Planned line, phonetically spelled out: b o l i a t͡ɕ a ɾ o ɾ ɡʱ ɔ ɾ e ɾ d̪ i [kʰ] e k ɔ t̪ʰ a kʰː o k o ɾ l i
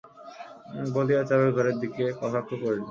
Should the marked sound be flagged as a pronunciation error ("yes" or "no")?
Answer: yes